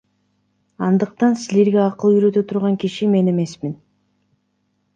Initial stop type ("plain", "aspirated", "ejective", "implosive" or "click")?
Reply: plain